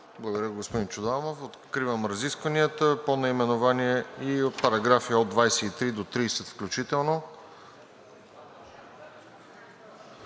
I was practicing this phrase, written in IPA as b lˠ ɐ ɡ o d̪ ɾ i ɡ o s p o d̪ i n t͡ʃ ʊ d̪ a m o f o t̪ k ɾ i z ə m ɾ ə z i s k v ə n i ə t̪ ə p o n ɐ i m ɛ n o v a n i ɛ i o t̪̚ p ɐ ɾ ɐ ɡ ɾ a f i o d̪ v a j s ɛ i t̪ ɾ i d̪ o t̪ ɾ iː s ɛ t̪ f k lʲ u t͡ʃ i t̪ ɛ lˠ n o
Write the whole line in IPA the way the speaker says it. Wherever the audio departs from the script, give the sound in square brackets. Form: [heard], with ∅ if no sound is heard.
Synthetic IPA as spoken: b lˠ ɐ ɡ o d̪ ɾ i ɡ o s p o d̪ i n t͡ʃ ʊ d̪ a m o f o t̪ k ɾ i [v] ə m ɾ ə z i s k v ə n i ə t̪ ə p o n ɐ i m ɛ n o v a n i ɛ i o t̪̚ p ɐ ɾ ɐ ɡ ɾ a f i o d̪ v a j s ɛ i t̪ ɾ i d̪ o t̪ ɾ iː s ɛ t̪ f k lʲ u t͡ʃ i t̪ ɛ lˠ n o